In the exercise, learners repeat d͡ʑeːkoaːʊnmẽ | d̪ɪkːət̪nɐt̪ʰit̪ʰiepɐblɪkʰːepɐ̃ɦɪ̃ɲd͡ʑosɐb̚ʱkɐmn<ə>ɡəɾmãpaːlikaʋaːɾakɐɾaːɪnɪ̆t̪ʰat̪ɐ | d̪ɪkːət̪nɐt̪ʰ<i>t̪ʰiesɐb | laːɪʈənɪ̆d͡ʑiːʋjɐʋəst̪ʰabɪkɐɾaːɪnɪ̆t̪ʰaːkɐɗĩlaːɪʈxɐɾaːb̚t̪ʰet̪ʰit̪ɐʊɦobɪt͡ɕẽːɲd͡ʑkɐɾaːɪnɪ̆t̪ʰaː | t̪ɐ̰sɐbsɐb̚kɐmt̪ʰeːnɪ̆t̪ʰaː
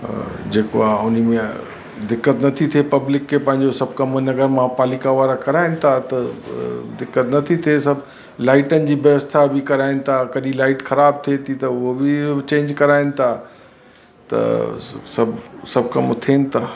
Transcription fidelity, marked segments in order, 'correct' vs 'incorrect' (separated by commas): incorrect, correct